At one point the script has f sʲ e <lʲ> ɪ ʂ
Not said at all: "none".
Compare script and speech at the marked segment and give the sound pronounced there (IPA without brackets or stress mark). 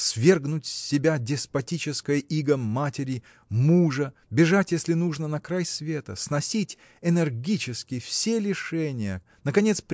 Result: lʲ